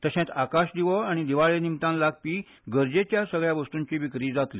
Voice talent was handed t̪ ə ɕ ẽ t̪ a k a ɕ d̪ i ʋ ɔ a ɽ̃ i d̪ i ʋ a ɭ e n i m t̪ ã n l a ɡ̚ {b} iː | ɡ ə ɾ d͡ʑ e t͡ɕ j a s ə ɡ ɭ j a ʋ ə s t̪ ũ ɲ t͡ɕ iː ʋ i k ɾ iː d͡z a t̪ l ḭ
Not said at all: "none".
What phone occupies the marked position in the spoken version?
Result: p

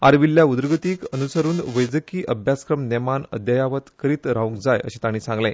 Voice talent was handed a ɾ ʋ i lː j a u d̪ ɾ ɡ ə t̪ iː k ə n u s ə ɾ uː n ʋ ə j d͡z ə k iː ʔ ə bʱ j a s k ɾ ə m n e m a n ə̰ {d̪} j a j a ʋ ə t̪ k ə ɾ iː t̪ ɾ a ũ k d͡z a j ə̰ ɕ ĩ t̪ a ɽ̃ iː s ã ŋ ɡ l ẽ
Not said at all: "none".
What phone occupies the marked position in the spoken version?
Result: d̪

